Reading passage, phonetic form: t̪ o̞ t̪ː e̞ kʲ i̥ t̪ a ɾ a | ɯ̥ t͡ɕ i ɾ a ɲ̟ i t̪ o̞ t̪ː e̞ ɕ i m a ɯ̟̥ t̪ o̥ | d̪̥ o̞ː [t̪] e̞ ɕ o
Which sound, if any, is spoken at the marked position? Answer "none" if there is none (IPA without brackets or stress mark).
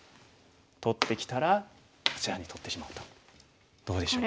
d̪